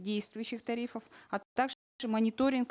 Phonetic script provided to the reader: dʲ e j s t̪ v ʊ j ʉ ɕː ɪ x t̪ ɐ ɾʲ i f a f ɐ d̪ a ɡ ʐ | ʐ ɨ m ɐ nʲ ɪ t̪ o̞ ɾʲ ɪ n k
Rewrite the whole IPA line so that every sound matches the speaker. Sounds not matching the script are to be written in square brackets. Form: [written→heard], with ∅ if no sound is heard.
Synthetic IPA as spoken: dʲ e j s t̪ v ʊ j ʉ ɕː ɪ x t̪ ɐ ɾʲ i f [a→ə] f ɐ [d̪→t̪] a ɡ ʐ | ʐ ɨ m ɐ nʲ ɪ t̪ o̞ ɾʲ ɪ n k